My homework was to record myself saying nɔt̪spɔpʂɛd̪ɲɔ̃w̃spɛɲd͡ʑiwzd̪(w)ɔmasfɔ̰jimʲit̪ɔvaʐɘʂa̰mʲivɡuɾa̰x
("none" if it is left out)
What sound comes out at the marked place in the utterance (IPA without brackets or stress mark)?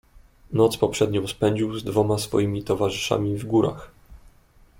v